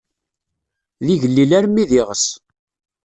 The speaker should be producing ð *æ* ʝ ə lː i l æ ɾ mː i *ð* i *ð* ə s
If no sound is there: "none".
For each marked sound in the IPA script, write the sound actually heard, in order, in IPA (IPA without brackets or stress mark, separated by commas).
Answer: i, ð, ʁ